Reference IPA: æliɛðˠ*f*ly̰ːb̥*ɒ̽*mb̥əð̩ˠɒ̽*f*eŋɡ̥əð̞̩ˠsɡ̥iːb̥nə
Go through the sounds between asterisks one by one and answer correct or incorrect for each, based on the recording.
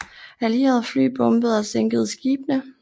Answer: correct, incorrect: ɔ̽, incorrect: s

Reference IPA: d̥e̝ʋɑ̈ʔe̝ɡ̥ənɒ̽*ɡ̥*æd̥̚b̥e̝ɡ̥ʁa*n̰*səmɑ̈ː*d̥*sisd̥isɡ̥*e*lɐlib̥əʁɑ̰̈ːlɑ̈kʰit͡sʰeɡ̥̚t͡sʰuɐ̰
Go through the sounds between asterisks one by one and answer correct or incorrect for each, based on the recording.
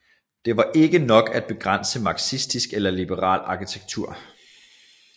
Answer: correct, correct, incorrect: ɡ̥, correct

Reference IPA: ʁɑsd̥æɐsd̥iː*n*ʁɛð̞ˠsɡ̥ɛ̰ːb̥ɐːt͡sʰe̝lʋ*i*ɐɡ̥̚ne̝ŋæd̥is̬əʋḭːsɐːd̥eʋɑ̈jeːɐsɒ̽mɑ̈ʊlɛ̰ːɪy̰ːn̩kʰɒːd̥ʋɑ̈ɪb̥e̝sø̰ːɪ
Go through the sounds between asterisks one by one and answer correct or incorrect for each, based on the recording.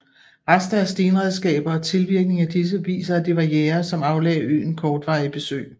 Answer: correct, correct

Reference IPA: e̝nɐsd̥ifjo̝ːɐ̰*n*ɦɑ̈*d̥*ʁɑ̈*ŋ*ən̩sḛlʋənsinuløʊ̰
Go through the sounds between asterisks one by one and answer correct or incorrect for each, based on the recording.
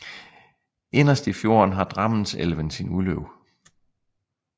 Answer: correct, correct, incorrect: m

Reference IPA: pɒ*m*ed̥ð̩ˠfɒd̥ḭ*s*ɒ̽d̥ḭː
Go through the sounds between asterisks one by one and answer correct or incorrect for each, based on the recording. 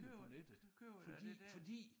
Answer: incorrect: n, incorrect: f

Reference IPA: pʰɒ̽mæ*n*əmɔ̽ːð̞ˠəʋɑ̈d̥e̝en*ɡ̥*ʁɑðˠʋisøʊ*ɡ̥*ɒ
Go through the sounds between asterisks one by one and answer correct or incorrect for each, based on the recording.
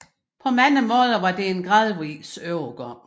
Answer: correct, correct, correct

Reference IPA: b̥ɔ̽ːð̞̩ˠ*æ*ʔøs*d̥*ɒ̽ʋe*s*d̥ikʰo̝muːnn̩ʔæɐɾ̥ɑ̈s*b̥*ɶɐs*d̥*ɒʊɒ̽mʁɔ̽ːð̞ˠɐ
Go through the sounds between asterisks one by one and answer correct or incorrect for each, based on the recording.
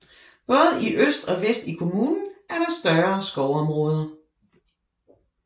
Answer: incorrect: i, correct, correct, incorrect: d̥, incorrect: ɡ̥

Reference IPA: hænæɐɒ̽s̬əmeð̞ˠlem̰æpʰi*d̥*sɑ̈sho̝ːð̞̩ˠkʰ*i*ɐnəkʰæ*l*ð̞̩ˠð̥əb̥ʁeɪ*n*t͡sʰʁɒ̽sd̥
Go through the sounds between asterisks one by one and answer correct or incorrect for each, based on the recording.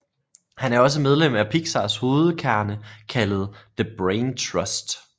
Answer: incorrect: ɡ̥, incorrect: æ, correct, correct

